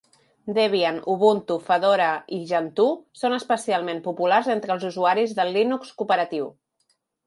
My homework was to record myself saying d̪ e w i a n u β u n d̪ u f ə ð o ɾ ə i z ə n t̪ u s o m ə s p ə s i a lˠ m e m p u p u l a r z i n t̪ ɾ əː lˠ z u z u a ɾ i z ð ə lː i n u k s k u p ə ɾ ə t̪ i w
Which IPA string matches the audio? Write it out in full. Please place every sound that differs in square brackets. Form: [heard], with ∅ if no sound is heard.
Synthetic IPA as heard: d̪ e [β] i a n u β u n [t̪] u f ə ð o ɾ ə i [ʒ] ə n t̪ u s o [n] ə s p ə s i a lˠ m e m p u p u l a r z [e] n t̪ ɾ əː lˠ z u z u a ɾ i z ð ə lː i n u k s k u p ə ɾ ə t̪ i w